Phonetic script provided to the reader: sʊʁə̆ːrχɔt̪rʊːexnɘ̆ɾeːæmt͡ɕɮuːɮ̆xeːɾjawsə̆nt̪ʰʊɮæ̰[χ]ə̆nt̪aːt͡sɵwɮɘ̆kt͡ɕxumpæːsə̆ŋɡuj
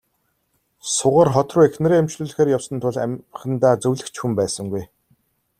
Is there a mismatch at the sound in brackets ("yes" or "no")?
no